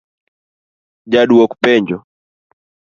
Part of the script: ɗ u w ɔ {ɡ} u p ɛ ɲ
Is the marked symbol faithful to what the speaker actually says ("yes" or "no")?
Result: no